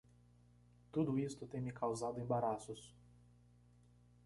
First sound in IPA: t̪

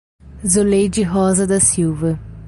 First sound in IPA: z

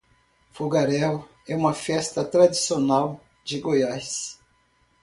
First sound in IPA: f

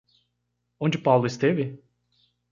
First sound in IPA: õ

